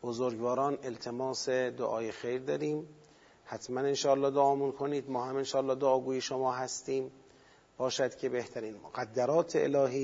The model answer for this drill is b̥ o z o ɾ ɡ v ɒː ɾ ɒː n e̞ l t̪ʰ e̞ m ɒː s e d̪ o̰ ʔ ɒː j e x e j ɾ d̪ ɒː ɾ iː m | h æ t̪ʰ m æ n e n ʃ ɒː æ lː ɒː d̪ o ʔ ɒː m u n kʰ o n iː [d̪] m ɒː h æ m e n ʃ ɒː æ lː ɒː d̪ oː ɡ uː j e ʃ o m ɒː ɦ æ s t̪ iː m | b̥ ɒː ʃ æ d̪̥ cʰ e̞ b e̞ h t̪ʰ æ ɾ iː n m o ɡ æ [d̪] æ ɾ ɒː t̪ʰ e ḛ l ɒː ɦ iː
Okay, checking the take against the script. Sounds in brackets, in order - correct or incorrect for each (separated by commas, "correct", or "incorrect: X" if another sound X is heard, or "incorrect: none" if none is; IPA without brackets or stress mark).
correct, incorrect: d̪ː